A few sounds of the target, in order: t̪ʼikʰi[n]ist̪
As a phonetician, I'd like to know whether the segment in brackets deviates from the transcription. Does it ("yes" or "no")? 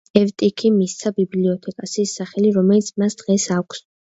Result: yes